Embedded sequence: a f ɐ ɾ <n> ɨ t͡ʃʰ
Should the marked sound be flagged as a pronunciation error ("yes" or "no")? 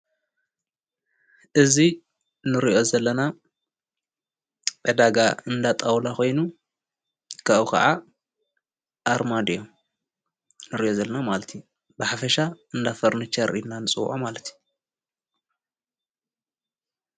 no